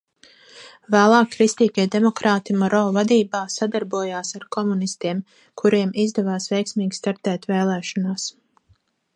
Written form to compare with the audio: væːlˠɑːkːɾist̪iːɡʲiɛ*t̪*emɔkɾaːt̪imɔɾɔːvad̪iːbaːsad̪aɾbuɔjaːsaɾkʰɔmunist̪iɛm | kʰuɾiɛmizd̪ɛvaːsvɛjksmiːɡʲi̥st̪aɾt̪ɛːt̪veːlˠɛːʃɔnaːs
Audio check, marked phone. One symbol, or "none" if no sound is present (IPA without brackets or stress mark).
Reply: d̪